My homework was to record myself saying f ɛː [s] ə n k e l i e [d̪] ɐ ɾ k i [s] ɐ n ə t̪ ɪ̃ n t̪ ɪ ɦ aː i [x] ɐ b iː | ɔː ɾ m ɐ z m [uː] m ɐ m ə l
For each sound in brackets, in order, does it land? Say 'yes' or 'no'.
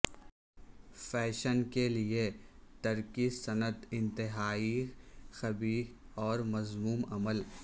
no, no, yes, yes, yes

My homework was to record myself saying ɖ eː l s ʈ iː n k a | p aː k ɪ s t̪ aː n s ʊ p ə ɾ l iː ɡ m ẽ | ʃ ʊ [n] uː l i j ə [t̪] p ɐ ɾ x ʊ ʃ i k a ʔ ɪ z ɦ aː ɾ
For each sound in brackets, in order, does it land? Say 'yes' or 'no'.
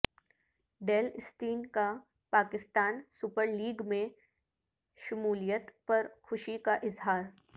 no, yes

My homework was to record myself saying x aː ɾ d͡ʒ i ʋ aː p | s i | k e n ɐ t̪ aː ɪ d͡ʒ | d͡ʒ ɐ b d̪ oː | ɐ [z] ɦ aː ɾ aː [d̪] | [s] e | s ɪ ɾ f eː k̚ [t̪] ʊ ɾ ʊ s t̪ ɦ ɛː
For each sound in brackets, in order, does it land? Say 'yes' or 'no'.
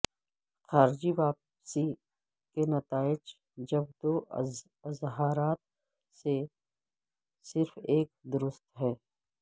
yes, no, yes, no

